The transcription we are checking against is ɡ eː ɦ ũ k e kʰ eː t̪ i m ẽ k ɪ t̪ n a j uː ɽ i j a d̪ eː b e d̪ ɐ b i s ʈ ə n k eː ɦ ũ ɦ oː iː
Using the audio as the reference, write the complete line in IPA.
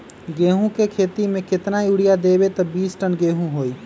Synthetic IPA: ɡ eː ɦ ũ k e kʰ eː t̪ i m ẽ k ɪ t̪ n a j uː ɽ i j a d̪ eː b e t̪ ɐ b iː s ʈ ə n ɡ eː ɦ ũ ɦ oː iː